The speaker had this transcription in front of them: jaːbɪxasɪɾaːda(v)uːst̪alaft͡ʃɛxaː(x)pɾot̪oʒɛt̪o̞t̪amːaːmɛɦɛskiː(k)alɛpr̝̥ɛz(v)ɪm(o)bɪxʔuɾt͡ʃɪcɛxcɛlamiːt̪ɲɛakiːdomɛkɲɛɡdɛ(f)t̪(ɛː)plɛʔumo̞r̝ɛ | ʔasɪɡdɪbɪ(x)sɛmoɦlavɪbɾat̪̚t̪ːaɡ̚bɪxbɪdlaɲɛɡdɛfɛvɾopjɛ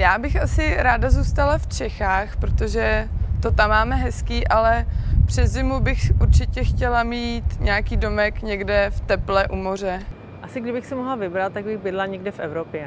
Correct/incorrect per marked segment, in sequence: incorrect: z, correct, incorrect: ʔ, incorrect: z, incorrect: u, correct, incorrect: ɛ, correct

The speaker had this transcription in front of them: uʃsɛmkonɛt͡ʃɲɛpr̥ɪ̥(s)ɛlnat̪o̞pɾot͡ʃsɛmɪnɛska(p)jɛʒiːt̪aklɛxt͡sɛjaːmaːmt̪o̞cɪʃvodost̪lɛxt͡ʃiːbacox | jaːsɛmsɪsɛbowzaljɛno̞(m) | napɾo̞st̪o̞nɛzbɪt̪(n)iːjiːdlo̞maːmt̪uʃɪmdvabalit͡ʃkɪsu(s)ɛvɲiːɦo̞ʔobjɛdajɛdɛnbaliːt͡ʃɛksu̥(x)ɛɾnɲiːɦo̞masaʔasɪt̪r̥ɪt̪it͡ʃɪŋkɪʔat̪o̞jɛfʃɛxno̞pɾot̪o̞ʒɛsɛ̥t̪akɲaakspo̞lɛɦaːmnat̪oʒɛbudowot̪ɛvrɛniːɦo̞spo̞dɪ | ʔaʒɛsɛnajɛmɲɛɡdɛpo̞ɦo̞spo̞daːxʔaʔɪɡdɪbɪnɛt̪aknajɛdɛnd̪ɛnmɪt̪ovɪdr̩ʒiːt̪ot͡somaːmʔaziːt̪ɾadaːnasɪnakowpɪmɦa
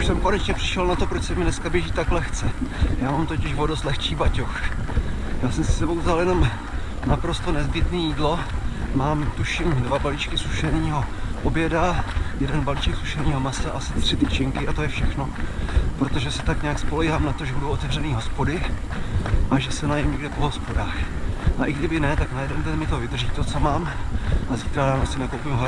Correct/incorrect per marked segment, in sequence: incorrect: ʃ, incorrect: b, correct, correct, incorrect: ʃ, incorrect: ʃ

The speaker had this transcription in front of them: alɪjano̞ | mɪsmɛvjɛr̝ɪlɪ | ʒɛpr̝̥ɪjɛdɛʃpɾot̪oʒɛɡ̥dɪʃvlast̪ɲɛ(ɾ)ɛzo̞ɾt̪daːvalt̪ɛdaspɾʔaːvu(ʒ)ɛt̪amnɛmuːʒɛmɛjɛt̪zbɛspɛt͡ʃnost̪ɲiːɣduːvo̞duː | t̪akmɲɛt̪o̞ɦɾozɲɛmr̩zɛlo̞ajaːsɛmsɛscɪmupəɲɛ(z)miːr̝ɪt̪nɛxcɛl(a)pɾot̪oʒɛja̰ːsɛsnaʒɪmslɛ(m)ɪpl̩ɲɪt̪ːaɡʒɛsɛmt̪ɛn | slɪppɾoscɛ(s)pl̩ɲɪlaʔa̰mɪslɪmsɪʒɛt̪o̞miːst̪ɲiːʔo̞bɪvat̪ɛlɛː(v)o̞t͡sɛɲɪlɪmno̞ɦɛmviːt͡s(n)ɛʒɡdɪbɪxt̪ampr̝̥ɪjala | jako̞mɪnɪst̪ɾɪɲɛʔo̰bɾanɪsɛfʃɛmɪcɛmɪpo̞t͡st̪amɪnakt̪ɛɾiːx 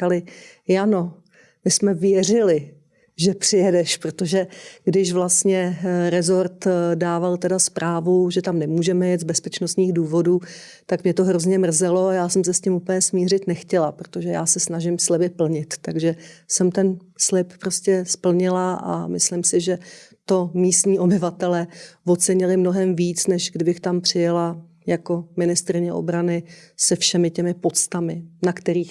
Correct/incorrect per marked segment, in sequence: correct, correct, incorrect: s, correct, incorrect: b, correct, correct, correct

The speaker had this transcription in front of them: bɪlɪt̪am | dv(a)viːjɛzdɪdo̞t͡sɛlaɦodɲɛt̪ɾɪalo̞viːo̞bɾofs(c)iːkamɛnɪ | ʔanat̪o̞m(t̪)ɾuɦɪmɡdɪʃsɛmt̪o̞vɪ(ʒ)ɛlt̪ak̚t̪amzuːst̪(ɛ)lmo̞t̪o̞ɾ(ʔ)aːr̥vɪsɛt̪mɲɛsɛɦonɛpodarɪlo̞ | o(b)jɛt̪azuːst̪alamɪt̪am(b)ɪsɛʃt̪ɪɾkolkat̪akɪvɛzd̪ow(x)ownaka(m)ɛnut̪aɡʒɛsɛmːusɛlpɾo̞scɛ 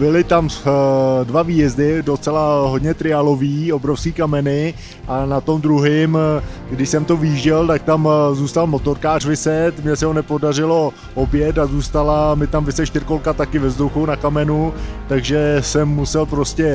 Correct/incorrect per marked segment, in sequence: correct, incorrect: k, incorrect: d̪, correct, incorrect: a, incorrect: k, correct, incorrect: v, correct, correct

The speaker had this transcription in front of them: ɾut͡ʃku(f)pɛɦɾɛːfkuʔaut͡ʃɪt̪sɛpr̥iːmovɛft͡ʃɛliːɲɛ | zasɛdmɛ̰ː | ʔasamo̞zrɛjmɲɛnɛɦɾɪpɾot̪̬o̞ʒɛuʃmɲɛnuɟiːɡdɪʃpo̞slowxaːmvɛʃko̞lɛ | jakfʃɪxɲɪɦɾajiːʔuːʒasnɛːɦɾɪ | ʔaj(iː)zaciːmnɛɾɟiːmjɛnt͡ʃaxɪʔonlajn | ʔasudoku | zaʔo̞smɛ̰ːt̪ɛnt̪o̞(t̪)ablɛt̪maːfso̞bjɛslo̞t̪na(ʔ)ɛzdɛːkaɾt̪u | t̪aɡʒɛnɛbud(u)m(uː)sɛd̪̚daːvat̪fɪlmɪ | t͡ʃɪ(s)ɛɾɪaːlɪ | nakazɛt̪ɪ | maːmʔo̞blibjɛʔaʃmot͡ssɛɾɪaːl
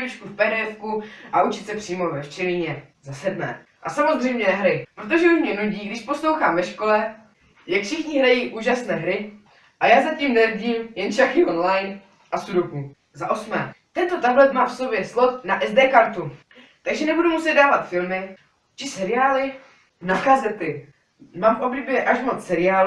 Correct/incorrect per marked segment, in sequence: correct, incorrect: aː, correct, correct, correct, incorrect: u, correct

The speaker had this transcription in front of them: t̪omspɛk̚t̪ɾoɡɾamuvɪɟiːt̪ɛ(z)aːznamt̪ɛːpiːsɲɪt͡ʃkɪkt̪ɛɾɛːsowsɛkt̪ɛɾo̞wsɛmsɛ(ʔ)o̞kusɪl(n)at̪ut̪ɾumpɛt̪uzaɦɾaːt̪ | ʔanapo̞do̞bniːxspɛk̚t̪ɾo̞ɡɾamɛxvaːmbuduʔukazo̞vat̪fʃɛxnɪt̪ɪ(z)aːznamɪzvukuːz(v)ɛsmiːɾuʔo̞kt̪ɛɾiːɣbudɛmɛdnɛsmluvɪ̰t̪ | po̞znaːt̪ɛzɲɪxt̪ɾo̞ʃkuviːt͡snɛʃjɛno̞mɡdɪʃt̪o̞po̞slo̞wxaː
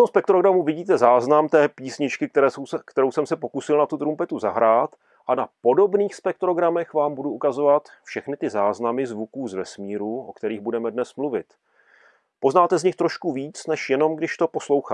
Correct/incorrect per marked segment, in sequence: correct, incorrect: p, correct, correct, correct

